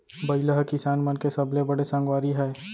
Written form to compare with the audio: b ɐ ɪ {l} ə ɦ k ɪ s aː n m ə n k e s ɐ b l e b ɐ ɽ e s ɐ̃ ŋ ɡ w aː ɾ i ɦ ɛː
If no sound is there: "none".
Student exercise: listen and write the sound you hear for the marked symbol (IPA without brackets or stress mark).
l